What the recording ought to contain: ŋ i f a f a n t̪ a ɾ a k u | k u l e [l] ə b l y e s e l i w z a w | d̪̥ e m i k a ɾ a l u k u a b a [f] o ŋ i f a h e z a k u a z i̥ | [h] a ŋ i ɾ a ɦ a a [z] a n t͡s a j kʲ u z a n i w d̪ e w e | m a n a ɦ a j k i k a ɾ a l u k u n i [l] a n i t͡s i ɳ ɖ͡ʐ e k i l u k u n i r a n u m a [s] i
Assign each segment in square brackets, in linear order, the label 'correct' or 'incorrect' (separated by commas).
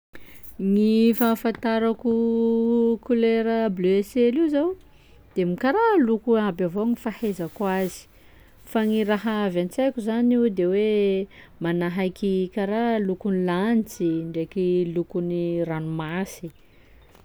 incorrect, incorrect, incorrect, incorrect, correct, correct